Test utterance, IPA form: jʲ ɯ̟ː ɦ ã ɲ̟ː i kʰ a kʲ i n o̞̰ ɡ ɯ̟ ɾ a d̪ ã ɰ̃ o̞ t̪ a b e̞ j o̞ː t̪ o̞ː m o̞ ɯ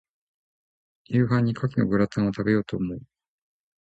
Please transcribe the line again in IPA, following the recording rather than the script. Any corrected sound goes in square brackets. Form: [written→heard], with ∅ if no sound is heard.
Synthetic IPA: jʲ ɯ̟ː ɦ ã ɲ̟ː i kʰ a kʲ i n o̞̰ ɡ ɯ̟ ɾ a [d̪→t̪] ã ɰ̃ o̞ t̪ a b e̞ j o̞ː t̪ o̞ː m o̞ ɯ

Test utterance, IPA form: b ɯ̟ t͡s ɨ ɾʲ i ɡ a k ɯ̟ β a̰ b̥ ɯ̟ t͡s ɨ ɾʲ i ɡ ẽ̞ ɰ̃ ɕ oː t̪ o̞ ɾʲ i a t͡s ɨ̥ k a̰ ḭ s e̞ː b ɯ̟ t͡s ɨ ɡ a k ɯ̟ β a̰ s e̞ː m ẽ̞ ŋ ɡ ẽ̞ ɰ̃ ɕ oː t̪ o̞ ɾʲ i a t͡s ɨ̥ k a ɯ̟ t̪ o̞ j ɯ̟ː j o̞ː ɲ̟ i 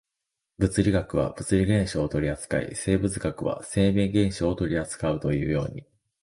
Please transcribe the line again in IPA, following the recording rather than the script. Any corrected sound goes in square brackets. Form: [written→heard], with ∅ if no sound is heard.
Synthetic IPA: b ɯ̟ t͡s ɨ ɾʲ i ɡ a k ɯ̟ β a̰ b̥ ɯ̟ t͡s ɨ ɾʲ i ɡ ẽ̞ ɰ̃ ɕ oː t̪ o̞ ɾʲ i a t͡s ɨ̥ k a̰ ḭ s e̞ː b ɯ̟ t͡s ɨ ɡ a k ɯ̟ β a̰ s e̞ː m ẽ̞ ŋ ɡ ẽ̞ ɰ̃ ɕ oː t̪ o̞ ɾʲ i a t͡s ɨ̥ k a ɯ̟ t̪ o̞ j ɯ̟ː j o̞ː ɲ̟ i

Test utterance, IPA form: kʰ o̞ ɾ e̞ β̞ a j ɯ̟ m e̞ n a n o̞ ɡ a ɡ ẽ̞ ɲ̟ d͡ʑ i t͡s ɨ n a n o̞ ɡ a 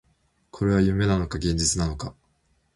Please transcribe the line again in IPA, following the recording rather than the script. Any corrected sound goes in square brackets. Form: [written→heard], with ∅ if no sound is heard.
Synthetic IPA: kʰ o̞ ɾ e̞ β̞ a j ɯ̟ m e̞ n a n o̞ [ɡ→k] a ɡ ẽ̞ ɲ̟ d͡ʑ i t͡s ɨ n a n o̞ [ɡ→k] a

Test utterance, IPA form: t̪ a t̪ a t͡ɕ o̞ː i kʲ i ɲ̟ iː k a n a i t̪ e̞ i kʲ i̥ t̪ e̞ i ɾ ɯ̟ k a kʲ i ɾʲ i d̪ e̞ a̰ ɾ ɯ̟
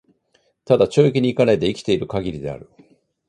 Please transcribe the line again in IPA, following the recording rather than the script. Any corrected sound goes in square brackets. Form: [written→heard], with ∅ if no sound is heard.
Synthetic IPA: t̪ a [t̪→d̪] a t͡ɕ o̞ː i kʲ i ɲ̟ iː k a n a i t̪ e̞ i kʲ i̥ t̪ e̞ i ɾ ɯ̟ k a [kʲ→ɡʲ] i ɾʲ i d̪ e̞ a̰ ɾ ɯ̟

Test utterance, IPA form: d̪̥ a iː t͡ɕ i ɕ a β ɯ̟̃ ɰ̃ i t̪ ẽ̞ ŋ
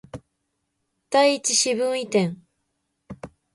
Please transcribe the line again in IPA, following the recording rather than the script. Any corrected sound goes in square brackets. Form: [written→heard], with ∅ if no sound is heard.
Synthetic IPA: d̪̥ a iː t͡ɕ i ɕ [a→i] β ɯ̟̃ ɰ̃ i t̪ ẽ̞ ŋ

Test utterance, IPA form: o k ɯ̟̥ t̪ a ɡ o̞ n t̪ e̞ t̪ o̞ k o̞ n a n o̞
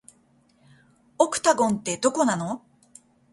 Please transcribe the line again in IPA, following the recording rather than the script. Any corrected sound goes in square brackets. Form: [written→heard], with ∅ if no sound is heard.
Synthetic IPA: o k ɯ̟̥ t̪ a ɡ [o̞→õ̞] n t̪ e̞ [t̪→d̪] o̞ k o̞ n a n o̞

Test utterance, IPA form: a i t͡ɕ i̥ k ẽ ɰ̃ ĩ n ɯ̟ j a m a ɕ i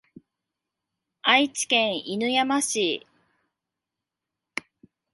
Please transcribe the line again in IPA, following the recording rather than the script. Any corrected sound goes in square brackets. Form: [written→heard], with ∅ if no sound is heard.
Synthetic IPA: a i t͡ɕ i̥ k ẽ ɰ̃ [ĩ→i] n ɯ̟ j a m a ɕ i

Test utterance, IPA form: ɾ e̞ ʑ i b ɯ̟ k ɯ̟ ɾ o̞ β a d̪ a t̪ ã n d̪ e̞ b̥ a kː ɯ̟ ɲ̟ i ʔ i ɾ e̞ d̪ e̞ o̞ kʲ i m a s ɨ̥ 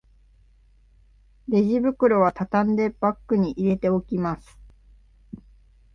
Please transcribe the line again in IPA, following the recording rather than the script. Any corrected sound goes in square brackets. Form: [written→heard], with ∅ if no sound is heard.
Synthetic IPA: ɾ e̞ ʑ i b ɯ̟ k ɯ̟ ɾ o̞ β a [d̪→t̪] a t̪ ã n d̪ e̞ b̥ a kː ɯ̟ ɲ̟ i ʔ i ɾ e̞ [d̪→t̪] e̞ o̞ kʲ i m a s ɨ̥

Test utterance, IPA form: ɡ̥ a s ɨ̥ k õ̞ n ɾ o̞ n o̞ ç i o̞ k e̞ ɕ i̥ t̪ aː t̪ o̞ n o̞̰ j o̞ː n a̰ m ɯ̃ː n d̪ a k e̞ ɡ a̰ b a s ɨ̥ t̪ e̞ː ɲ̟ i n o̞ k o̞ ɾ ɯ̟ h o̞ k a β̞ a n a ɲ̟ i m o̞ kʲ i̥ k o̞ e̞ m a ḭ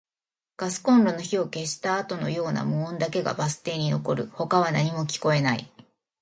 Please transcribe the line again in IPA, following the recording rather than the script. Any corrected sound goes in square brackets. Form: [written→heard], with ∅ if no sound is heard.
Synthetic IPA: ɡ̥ a s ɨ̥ k õ̞ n ɾ o̞ n o̞ ç i o̞ k e̞ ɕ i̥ t̪ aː t̪ o̞ n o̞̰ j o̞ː n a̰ m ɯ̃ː n d̪ a k e̞ ɡ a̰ b a s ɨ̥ t̪ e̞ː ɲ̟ i n o̞ k o̞ ɾ ɯ̟ h o̞ k a β̞ a n a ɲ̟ i m o̞ kʲ i̥ k o̞ e̞ [m→n] a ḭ

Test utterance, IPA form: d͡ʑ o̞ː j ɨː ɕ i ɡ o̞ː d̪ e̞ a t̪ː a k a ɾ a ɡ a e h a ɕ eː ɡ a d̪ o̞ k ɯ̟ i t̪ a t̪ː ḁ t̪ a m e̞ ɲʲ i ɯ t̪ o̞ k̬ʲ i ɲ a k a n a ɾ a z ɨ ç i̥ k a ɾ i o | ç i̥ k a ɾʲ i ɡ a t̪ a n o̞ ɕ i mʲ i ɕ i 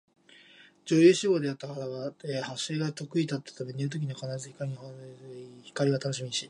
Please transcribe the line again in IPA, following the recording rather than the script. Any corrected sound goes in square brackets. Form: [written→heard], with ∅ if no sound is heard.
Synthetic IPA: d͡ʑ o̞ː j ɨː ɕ i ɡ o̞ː d̪ e̞ a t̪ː a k a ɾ a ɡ a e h a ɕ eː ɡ a [d̪→t̪] o̞ k ɯ̟ i t̪ a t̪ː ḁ t̪ a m e̞ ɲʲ i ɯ t̪ o̞ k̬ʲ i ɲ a k a n a ɾ a z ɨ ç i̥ k a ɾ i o | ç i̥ k a ɾʲ i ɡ a t̪ a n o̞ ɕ i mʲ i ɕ i

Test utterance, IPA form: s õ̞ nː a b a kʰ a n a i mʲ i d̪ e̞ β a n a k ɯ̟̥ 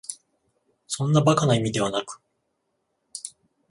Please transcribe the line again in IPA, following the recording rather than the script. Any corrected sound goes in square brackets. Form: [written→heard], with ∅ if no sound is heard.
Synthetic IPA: s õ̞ nː a b a [kʰ→k] a n a i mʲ i d̪ e̞ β a n a k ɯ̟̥

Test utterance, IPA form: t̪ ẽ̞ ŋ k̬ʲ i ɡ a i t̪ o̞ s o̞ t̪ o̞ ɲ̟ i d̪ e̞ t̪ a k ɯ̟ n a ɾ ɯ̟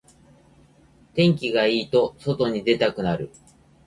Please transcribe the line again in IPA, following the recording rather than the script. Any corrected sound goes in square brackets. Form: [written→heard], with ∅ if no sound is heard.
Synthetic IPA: t̪ ẽ̞ ŋ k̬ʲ i ɡ a [i→iː] t̪ o̞ s o̞ t̪ o̞ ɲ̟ i d̪ e̞ t̪ a k ɯ̟ n a ɾ ɯ̟

